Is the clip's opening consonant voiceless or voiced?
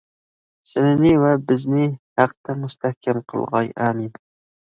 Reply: voiceless